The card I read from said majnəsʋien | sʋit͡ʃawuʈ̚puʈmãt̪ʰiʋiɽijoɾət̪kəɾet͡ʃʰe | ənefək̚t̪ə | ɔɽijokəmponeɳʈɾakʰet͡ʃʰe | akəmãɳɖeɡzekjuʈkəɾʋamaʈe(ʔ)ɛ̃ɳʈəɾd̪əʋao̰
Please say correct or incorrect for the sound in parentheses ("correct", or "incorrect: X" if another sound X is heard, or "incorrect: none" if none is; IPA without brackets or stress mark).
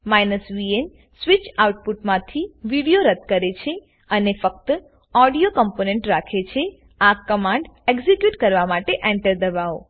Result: correct